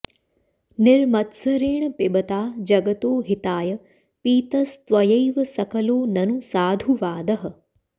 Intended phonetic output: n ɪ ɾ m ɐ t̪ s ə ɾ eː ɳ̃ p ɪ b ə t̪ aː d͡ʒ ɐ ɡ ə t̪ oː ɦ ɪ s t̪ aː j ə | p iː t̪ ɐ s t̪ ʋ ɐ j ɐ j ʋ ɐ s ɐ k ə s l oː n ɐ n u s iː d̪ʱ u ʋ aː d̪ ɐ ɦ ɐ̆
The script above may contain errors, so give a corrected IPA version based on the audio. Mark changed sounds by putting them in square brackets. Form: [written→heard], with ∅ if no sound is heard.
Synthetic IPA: n ɪ ɾ m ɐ t̪ s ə ɾ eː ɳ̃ p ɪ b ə t̪ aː d͡ʒ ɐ ɡ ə t̪ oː ɦ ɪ [s→∅] t̪ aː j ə | p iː t̪ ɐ s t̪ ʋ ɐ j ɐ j ʋ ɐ s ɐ k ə [s→∅] l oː n ɐ n u s [iː→aː] d̪ʱ u ʋ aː d̪ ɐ ɦ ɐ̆